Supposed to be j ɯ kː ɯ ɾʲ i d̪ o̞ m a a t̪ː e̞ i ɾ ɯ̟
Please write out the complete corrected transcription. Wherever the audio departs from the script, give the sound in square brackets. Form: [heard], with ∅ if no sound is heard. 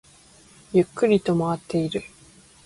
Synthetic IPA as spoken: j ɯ kː ɯ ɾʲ i [t̪] o̞ m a a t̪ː e̞ i ɾ ɯ̟